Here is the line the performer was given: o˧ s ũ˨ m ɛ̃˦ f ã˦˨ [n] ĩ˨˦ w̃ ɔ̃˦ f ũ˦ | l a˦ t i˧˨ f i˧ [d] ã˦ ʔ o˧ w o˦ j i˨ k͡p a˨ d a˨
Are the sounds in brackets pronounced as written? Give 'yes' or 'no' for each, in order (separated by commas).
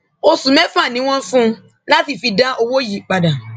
yes, yes